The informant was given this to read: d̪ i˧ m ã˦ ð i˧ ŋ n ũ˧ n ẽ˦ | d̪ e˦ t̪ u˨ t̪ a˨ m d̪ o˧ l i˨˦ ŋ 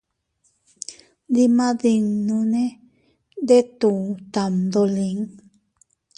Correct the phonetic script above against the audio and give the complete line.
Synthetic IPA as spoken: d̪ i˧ m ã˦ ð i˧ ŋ n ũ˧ n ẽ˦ | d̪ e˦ t̪ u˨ t̪ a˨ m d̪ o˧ l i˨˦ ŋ